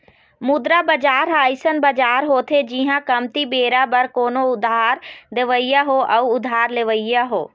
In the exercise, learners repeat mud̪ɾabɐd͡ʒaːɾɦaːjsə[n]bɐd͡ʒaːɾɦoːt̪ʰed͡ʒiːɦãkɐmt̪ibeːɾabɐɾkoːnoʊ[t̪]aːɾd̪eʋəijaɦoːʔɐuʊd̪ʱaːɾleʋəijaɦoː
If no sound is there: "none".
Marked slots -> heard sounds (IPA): n, d̪

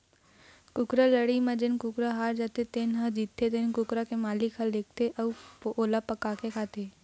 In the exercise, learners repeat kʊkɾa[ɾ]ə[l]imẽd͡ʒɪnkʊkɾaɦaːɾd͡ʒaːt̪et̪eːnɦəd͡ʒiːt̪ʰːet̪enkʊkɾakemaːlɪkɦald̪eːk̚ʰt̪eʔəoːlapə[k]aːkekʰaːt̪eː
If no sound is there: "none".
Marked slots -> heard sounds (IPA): l, ɽ, k

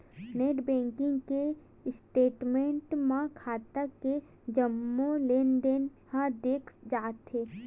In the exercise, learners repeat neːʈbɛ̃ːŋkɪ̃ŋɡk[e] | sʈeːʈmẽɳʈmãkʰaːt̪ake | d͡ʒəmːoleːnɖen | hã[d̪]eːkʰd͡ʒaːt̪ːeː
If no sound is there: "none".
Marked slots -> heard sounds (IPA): e, d̪

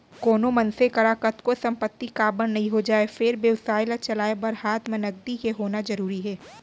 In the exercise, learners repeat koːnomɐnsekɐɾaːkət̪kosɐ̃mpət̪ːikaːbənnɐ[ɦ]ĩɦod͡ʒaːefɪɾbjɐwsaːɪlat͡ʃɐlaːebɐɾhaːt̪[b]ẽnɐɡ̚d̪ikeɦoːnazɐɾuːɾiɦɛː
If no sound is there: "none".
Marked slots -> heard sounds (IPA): ɦ, m

